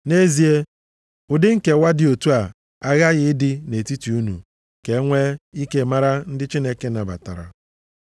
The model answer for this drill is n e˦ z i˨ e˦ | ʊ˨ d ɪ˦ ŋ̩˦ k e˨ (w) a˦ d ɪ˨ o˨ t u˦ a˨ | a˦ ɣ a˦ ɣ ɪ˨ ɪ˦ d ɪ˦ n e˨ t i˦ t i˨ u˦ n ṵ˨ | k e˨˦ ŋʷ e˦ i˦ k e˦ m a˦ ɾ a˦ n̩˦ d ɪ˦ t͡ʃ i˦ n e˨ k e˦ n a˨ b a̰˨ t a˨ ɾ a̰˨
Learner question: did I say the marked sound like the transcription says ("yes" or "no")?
yes